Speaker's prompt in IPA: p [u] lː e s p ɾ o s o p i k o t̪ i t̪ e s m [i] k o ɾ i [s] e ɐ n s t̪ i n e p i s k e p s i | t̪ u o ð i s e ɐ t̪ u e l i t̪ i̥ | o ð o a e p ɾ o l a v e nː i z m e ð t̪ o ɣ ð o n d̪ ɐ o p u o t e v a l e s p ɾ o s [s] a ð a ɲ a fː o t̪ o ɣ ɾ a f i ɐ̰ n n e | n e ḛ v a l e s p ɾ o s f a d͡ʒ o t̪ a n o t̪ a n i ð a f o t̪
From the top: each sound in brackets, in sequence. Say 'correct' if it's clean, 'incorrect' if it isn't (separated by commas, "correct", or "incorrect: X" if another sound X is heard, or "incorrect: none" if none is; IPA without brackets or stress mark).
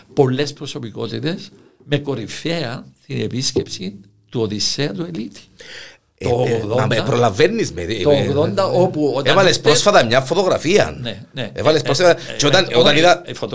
incorrect: o, incorrect: e, incorrect: f, incorrect: f